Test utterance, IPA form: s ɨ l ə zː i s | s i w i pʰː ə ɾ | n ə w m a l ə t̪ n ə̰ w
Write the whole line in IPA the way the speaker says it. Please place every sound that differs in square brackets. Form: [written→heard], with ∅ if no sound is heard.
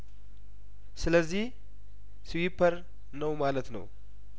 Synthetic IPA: s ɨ l ə zː i [s→h] | s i w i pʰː ə ɾ | n ə w m a l ə t̪ n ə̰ w